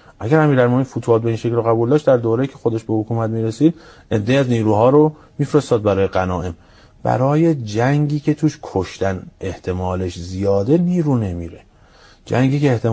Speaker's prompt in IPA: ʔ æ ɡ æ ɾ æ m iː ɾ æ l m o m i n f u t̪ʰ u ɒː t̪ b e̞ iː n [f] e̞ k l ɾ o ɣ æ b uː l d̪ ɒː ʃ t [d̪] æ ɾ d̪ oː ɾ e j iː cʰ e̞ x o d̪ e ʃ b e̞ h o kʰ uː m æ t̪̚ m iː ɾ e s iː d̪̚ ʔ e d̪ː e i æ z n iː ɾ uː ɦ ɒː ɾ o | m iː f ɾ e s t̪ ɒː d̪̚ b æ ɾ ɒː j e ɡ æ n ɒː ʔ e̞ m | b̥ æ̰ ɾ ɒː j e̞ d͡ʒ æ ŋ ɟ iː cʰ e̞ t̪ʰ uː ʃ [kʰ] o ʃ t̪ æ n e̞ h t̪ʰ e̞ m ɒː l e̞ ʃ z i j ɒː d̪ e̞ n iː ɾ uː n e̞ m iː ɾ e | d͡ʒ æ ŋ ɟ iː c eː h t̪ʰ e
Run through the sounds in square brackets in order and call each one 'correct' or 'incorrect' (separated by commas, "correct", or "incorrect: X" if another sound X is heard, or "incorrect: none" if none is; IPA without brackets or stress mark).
incorrect: ʃ, correct, correct